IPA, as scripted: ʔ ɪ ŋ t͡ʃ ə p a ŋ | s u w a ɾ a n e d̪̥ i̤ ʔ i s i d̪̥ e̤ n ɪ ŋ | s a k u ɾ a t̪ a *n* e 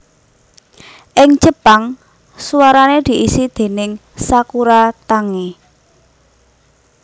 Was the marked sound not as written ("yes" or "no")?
yes